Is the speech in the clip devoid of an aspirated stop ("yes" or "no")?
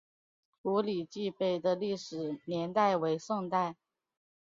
yes